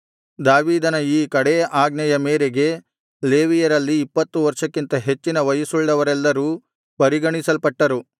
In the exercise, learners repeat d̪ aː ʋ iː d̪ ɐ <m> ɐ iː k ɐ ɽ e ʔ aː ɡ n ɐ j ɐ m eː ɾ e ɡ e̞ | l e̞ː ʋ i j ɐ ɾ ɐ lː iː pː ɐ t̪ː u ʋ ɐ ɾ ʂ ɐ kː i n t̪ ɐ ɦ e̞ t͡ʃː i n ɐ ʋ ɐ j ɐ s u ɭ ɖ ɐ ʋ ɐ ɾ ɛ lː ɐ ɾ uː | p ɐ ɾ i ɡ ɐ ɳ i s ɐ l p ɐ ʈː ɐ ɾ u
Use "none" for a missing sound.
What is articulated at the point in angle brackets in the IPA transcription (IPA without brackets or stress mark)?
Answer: n